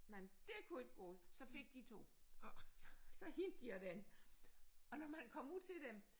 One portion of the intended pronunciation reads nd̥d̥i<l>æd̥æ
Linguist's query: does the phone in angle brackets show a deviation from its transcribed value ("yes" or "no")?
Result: yes